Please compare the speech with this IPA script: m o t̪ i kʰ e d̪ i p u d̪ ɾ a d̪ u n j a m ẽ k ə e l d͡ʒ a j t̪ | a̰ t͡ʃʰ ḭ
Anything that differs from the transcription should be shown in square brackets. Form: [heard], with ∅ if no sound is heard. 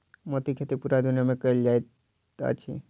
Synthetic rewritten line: m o t̪ i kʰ e [t̪] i p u [∅] ɾ a d̪ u n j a m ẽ k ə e l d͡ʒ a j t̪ | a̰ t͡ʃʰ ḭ

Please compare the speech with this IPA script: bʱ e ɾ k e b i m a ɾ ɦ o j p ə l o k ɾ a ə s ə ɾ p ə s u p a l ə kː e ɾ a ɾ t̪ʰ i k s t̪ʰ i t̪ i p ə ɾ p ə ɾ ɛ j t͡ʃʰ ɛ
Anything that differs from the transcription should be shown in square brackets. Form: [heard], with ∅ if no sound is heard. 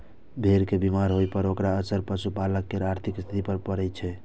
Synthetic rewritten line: bʱ e ɾ k e b i m a ɾ ɦ o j p ə [ɾ] o k ɾ a ə s ə ɾ p ə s u p a l ə kː e ɾ a ɾ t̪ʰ i k s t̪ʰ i t̪ i p ə ɾ p ə ɾ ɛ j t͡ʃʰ ɛ

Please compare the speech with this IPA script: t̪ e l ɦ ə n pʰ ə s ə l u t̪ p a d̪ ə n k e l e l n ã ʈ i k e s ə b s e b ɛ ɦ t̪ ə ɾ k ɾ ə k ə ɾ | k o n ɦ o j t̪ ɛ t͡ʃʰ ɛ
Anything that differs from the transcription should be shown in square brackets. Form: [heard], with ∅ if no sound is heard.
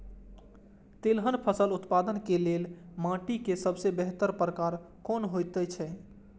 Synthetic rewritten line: t̪ e l ɦ ə n pʰ ə s ə l u t̪ p a d̪ ə n k e l e l [m] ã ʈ i k e s ə b s e b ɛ ɦ t̪ ə ɾ [p] ɾ ə k [a] ɾ | k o n ɦ o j t̪ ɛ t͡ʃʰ ɛ

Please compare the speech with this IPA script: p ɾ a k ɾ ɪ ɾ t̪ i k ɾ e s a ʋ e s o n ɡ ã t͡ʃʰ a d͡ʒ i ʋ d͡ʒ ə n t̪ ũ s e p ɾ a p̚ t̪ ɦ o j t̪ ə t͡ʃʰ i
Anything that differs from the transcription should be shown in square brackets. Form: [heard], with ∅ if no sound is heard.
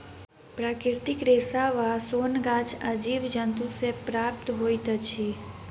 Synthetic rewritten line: p ɾ a k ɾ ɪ ɾ t̪ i k ɾ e s a ʋ [a] s o n ɡ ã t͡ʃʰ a d͡ʒ i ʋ d͡ʒ ə n t̪ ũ s e p ɾ a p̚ t̪ ɦ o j t̪ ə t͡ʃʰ i

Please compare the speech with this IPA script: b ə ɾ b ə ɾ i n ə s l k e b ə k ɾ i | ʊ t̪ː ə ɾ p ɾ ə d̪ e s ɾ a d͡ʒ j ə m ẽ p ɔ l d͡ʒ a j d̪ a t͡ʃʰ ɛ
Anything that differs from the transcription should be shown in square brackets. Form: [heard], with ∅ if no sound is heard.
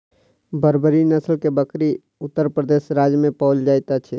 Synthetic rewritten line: b ə ɾ b ə ɾ i n ə s l k e b ə k ɾ i | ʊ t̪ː ə ɾ p ɾ ə d̪ e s ɾ a d͡ʒ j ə m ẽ p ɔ l d͡ʒ a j [t̪] a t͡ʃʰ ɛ

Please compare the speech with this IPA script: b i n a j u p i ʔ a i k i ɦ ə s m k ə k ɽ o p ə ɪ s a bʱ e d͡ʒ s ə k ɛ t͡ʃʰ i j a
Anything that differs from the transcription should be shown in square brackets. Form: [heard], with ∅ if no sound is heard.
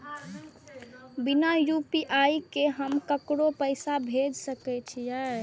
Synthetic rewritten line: b i n a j u p i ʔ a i k [e] ɦ ə [∅] m k ə k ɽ o p ə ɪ s a bʱ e d͡ʒ s ə k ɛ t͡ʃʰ i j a

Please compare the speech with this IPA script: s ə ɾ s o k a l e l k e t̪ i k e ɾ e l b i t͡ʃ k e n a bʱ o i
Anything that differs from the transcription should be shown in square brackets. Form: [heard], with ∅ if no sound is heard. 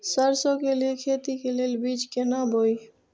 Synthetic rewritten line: s ə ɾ s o k [e] l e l [kʰ] e t̪ i k e [l] e l b i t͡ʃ k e n a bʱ o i

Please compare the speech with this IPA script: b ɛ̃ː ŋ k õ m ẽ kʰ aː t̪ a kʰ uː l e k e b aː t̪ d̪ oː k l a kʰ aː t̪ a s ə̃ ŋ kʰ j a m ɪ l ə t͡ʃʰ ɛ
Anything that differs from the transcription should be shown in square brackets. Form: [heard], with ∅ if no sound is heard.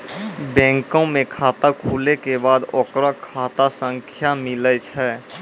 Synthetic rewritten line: b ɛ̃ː ŋ k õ m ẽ kʰ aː t̪ a kʰ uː l e k e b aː [∅] d̪ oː k [ɾ] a kʰ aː t̪ a s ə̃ ŋ kʰ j a m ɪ l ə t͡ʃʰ ɛ

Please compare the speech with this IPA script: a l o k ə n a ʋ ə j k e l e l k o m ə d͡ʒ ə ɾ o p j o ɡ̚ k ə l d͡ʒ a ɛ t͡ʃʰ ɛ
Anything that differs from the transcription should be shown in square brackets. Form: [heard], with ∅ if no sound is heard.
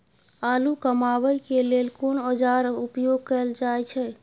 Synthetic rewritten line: a l [u] k ə [m] a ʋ ə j k e l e l k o [n] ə d͡ʒ [a] ɾ [u] p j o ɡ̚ k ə l d͡ʒ a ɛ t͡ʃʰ ɛ

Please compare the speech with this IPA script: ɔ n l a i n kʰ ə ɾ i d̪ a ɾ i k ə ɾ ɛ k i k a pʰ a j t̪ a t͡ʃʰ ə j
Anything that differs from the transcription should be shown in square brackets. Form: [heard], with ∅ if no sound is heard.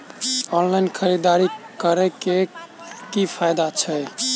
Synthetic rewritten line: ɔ n l a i n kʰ ə ɾ i d̪ a ɾ i k ə ɾ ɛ k [e] k [i] pʰ a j [d̪] a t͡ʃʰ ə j

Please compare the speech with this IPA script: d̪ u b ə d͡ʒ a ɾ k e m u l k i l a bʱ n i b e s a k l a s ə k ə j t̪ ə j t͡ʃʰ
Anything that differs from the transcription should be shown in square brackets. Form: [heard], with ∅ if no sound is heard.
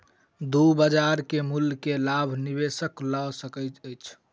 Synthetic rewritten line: d̪ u b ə d͡ʒ a ɾ k e m u l k [e] l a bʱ n i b e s [ə] k l a s ə k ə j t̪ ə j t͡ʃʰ

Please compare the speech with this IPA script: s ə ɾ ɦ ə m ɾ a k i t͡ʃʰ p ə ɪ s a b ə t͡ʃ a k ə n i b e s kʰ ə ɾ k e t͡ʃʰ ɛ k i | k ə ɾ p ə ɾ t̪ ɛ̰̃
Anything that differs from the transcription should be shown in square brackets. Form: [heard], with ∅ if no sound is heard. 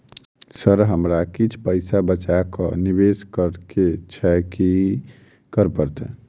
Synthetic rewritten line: s ə ɾ ɦ ə m ɾ a k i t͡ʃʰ p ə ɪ s a b ə t͡ʃ a k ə n i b e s [k] ə ɾ k e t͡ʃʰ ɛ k i | k ə ɾ p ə ɾ t̪ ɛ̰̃

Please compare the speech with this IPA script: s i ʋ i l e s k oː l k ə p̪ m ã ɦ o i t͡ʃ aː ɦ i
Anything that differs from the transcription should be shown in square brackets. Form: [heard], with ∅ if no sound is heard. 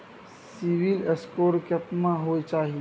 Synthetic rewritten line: s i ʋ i l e s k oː [ɾ] k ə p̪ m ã ɦ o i t͡ʃ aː ɦ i

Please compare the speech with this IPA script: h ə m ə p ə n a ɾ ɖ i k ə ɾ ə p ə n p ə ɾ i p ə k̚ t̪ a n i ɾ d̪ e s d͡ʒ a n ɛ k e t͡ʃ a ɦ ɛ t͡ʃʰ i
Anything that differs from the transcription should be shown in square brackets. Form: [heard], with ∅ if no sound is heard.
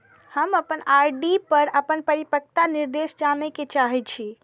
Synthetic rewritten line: h ə m ə p ə n a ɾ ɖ i [p] ə ɾ ə p ə n p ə ɾ i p ə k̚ t̪ a n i ɾ d̪ e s d͡ʒ a n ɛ k e t͡ʃ a ɦ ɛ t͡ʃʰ i

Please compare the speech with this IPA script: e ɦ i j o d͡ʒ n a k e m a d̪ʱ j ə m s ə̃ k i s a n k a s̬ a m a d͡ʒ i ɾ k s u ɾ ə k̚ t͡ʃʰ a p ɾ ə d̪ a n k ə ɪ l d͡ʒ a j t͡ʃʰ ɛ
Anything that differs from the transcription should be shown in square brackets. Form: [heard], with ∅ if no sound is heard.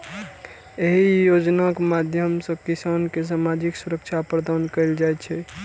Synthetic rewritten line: e ɦ i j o d͡ʒ n a k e m a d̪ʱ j ə m s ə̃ k i s a n k [e] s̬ a m a d͡ʒ i [∅] k s u ɾ ə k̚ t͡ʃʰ a p ɾ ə d̪ a n k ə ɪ l d͡ʒ a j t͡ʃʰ ɛ

